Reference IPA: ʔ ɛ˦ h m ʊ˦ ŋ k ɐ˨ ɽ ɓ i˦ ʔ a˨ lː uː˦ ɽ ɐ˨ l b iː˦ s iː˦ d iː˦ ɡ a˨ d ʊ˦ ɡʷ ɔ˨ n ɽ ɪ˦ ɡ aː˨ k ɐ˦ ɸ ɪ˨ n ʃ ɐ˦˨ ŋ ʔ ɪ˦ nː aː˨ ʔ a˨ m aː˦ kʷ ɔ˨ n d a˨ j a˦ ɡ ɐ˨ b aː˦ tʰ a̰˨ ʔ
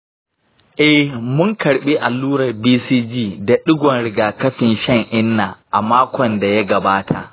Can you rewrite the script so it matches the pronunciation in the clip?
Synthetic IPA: ʔ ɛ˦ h m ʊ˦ ŋ k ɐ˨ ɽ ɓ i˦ ʔ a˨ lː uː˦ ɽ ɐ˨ r b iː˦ s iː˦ d͡ʒ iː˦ d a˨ ɗ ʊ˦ ɡʷ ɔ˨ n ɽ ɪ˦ ɡ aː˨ k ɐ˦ ɸ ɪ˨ n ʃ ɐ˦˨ ŋ ʔ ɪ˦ nː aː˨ ʔ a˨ m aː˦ kʷ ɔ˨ n d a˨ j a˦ ɡ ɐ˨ b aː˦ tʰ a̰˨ ʔ